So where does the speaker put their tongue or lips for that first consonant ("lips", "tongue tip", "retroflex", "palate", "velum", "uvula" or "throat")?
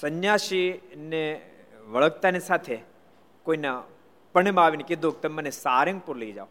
tongue tip